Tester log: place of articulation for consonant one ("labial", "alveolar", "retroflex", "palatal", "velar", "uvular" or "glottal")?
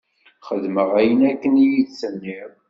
uvular